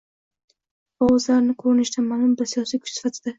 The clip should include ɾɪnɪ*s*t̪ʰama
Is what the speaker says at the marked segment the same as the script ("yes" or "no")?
no